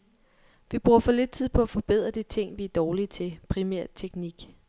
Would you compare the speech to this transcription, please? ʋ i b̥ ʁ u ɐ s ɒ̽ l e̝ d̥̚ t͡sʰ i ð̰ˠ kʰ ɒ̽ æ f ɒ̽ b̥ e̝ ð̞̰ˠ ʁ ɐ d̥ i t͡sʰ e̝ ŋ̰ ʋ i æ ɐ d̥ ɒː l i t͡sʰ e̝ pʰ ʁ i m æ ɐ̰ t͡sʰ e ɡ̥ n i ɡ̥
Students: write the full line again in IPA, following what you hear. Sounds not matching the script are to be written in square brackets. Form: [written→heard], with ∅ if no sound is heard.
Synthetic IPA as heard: ʋ i b̥ ʁ u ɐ [s→f] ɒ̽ l e̝ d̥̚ t͡sʰ i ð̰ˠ [kʰ→pʰ] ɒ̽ æ f ɒ̽ b̥ e̝ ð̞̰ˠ ʁ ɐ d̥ i t͡sʰ e̝ ŋ̰ ʋ i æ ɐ d̥ ɒː l i t͡sʰ e̝ pʰ ʁ i m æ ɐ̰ t͡sʰ e ɡ̥ n i ɡ̥